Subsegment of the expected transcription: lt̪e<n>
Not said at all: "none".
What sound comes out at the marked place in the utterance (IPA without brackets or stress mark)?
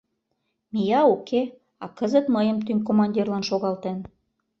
n